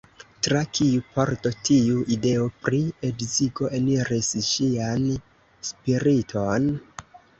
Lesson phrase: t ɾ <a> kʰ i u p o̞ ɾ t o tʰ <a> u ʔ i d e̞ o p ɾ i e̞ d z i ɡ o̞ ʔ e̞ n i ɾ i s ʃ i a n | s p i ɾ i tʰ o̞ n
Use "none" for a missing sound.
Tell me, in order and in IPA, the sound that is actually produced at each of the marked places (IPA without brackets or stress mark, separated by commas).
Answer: a, i